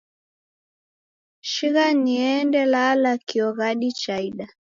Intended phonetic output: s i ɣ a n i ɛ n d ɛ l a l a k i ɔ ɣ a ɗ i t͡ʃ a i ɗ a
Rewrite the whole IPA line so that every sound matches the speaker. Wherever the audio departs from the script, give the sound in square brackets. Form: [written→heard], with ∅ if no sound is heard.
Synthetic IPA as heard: [s→ʃ] i ɣ a n i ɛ n d ɛ l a l a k i ɔ ɣ a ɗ i t͡ʃ a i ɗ a